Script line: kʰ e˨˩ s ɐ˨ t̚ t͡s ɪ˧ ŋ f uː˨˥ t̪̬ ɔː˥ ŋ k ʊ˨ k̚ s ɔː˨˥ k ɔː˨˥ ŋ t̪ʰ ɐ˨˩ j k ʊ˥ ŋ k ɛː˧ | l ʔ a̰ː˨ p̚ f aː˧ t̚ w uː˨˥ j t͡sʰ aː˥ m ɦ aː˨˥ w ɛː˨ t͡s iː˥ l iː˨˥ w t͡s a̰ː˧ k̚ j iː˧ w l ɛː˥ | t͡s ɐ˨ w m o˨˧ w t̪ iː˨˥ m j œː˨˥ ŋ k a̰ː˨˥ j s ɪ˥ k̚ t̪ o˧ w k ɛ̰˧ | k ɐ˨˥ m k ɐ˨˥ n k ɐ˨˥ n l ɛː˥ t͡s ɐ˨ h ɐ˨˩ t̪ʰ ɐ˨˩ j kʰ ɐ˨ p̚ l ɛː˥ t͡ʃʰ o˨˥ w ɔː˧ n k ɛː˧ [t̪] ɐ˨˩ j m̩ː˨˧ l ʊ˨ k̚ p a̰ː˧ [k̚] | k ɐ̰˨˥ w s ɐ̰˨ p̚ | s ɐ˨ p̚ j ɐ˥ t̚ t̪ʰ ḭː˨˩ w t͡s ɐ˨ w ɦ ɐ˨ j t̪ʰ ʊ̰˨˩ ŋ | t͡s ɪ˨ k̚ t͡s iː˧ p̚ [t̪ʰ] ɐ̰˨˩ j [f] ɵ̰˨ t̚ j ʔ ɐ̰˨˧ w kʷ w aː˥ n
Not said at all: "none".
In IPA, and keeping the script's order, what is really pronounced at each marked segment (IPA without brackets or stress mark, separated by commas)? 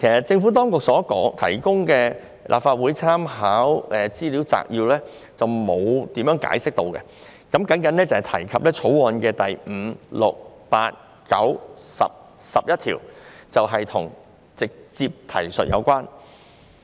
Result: t̪, t̚, t̪ʰ, s